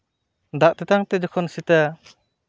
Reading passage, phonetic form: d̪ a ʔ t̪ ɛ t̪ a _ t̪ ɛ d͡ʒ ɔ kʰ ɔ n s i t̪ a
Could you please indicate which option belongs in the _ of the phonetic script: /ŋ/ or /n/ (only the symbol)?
ŋ